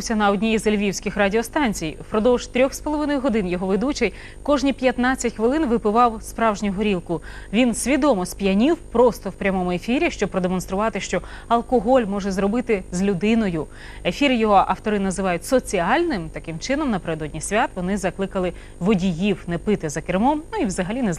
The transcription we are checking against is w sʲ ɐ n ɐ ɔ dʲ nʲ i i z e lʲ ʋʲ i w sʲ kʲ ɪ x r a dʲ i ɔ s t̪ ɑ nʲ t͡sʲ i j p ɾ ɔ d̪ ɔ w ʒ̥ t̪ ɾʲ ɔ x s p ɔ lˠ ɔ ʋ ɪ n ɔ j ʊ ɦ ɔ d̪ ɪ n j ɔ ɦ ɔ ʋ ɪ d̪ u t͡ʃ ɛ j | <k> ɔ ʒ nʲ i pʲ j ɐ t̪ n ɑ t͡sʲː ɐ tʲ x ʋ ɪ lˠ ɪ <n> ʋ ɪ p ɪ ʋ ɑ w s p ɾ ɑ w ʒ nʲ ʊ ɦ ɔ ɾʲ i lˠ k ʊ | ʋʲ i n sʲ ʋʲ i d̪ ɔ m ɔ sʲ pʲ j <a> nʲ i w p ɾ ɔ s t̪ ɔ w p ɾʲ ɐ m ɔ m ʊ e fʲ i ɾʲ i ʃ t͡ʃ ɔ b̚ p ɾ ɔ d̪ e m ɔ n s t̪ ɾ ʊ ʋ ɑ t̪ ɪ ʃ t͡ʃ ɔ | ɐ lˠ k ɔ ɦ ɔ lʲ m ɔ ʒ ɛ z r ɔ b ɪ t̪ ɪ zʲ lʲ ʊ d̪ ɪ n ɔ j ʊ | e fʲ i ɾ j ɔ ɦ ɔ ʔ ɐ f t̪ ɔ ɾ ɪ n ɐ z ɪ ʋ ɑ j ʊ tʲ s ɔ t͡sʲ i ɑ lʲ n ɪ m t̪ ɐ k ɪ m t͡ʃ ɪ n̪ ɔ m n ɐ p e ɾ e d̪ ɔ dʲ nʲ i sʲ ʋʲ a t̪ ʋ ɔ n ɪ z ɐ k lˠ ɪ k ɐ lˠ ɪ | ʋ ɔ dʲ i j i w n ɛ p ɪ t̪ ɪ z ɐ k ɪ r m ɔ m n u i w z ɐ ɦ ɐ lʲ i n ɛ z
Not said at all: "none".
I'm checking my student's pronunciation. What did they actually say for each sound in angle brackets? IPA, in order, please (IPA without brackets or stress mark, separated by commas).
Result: k, n, ɐ